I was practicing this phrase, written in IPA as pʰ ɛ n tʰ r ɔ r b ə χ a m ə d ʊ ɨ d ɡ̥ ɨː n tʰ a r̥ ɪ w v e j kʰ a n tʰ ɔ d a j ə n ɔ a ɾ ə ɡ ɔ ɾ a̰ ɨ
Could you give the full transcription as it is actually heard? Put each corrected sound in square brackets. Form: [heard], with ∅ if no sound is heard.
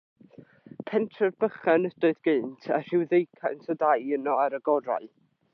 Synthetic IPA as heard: pʰ ɛ n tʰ r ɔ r b ə χ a [n] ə d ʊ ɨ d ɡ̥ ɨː n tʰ a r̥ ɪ w [ð] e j kʰ a n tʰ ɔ d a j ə n ɔ a ɾ ə ɡ ɔ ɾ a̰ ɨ

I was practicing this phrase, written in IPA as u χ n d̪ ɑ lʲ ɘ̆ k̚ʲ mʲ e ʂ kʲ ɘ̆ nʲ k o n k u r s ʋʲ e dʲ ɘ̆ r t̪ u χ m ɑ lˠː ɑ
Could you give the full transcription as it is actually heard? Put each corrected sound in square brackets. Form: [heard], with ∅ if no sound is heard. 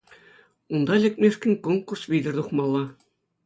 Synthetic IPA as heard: u [∅] n d̪ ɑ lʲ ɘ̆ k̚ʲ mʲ e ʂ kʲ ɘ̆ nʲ k o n k u r s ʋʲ [i] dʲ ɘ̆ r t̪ u χ m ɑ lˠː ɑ

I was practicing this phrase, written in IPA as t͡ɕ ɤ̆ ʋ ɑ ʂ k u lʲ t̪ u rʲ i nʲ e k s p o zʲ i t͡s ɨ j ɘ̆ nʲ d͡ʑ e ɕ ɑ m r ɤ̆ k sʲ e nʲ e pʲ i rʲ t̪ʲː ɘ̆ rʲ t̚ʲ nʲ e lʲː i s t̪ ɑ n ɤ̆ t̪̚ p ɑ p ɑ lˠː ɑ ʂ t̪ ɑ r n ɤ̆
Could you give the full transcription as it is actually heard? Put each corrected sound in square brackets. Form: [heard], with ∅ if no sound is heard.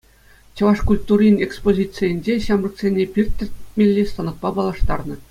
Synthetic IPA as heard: t͡ɕ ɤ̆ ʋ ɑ ʂ k u lʲ t̪ u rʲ i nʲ e k s p o zʲ i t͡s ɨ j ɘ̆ nʲ d͡ʑ e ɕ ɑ m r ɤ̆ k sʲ e nʲ e pʲ i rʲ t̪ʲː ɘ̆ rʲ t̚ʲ [mʲ] e lʲː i s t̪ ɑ n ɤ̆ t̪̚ p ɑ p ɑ [lˠ] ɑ ʂ t̪ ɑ r n ɤ̆

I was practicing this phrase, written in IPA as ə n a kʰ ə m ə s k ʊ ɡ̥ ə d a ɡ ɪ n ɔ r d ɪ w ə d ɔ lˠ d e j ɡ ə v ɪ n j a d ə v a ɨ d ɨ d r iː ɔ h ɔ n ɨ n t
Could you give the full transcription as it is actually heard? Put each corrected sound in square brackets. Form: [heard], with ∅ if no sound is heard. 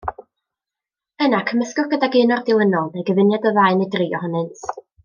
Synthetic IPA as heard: ə n a kʰ ə m ə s k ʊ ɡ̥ ə d a ɡ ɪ n ɔ r d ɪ w ə [n] ɔ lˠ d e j ɡ ə v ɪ n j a d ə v a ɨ [n] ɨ d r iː ɔ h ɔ n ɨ n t

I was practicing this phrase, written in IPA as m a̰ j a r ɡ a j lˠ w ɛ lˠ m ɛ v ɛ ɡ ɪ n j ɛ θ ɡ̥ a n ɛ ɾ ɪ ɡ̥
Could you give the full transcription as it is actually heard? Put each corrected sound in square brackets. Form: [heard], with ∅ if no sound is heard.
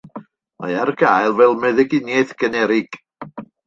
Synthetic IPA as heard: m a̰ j a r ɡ a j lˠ [v] ɛ lˠ m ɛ [ð] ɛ ɡ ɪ n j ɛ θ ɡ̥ [ə] n ɛ ɾ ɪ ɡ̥

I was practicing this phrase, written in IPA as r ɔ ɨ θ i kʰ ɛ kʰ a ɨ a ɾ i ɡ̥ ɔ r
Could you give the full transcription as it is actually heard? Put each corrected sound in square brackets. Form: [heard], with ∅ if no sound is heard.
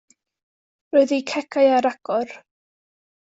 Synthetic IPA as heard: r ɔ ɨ [ð] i kʰ ɛ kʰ a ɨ a ɾ [a] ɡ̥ ɔ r

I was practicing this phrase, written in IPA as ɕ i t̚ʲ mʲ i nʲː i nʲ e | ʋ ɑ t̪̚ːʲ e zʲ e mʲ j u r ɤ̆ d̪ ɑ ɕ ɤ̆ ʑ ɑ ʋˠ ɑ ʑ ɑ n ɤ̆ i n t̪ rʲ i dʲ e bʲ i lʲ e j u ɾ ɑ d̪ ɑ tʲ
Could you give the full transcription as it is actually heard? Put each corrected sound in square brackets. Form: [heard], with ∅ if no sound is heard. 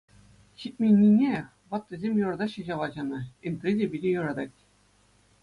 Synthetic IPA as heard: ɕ i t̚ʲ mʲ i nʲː i nʲ e | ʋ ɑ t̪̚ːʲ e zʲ e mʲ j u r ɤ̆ d̪ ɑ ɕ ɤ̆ ʑ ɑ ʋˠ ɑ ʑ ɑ n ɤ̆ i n t̪ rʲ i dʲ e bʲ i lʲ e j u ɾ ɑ d̪ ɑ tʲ

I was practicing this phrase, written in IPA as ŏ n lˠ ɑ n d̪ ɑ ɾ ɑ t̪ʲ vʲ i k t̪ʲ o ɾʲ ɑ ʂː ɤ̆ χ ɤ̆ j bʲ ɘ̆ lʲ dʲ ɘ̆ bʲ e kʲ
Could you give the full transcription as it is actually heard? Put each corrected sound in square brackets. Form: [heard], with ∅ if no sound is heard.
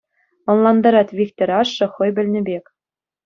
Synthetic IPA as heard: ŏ n lˠ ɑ n d̪ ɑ ɾ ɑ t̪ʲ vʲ i k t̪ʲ o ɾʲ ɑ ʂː ɤ̆ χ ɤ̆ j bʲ ɘ̆ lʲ [nʲ] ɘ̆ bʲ e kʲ

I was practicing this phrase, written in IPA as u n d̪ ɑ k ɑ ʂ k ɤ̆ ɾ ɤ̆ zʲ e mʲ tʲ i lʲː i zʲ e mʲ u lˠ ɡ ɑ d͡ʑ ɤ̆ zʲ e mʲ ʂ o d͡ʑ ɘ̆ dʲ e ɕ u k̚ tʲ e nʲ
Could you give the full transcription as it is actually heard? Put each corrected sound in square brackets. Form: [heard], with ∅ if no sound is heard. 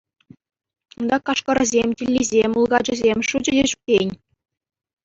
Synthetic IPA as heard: u n d̪ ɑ k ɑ ʂ k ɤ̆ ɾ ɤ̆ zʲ e mʲ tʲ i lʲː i zʲ e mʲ u lˠ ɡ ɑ d͡ʑ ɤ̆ zʲ e mʲ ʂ [u] d͡ʑ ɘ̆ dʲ e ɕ u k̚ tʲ e nʲ

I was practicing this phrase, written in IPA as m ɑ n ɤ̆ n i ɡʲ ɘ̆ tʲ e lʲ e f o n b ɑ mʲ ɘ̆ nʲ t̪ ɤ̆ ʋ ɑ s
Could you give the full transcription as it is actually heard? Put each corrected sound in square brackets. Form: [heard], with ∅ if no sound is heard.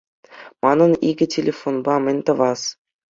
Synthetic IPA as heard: m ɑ n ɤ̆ n i ɡʲ ɘ̆ tʲ e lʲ e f o n b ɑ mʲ ɘ̆ nʲ t̪ ɤ̆ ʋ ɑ s

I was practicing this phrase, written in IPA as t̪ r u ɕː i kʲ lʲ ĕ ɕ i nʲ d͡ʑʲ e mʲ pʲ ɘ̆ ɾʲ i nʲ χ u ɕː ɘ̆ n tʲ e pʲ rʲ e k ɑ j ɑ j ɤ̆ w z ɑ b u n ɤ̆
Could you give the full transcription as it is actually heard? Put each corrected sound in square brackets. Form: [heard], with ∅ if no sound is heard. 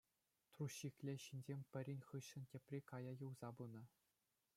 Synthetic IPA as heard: t̪ r u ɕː i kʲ lʲ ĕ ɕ i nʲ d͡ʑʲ e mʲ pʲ ɘ̆ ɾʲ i nʲ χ [ɯ] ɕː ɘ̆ n tʲ e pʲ rʲ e k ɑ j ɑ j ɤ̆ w z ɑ b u n ɤ̆

